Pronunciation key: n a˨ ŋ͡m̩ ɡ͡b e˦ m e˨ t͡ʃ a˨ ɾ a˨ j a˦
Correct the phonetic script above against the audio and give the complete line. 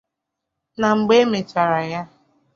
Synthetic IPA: n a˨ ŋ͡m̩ ɡ͡b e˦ m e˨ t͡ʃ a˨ ɾ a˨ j a˦

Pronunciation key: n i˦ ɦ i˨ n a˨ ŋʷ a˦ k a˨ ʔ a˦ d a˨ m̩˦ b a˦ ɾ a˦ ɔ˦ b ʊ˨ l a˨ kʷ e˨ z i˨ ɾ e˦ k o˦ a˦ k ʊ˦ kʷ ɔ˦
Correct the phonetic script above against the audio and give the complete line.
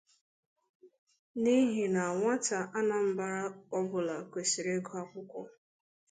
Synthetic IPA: n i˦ ɦ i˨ n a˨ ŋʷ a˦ t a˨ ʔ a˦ n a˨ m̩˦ b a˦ ɾ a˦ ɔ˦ b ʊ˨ l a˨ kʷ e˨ s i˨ ɾ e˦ ɡ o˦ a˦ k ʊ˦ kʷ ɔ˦

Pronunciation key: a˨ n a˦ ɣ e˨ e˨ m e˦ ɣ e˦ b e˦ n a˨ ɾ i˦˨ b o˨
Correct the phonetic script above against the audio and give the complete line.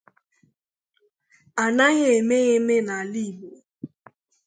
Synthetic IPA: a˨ n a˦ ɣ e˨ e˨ m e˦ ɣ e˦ m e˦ n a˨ l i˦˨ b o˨

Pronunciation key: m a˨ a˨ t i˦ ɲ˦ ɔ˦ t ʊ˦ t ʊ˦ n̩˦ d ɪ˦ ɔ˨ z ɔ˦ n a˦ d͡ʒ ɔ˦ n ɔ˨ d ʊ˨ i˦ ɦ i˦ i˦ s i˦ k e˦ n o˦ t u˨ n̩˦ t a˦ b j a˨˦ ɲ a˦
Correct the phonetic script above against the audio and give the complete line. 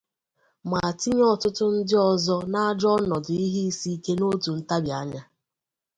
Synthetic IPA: m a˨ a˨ t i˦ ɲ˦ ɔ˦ t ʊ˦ t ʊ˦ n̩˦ d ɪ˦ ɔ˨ z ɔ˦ n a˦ d͡ʒ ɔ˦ n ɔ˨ d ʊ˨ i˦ ɦ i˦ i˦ s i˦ k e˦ n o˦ t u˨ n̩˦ t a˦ b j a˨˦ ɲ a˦

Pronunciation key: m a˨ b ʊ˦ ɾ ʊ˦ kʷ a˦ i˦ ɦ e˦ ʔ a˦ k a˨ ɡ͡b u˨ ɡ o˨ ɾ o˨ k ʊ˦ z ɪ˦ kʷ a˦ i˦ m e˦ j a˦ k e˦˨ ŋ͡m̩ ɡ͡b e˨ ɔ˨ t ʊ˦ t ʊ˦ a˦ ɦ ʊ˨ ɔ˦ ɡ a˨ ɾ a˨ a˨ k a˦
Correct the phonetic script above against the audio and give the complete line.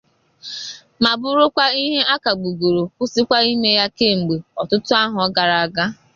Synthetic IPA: m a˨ b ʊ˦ ɾ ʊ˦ kʷ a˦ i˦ ɦ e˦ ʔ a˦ k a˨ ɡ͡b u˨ ɡ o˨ ɾ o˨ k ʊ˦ s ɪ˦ kʷ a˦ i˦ m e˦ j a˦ k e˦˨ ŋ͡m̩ ɡ͡b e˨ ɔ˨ t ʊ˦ t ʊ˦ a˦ ɦ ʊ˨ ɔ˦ ɡ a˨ ɾ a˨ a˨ ɡ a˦

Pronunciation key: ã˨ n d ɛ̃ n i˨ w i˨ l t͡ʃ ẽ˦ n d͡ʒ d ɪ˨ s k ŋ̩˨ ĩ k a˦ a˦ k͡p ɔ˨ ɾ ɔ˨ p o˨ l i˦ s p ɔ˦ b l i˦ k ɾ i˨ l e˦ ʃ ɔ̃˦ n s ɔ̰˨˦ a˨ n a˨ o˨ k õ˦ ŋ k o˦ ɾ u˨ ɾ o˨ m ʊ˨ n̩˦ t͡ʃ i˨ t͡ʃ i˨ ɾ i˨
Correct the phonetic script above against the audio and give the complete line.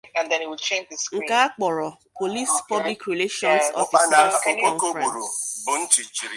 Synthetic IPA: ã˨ n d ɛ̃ n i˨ w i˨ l t͡ʃ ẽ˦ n d͡ʒ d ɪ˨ s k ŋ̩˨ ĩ k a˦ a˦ k͡p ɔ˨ ɾ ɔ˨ p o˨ l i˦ s p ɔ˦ b l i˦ k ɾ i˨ l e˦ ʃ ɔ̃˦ n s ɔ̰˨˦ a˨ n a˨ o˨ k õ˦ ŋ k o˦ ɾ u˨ ɾ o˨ b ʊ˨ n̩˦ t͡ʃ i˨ t͡ʃ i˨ ɾ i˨

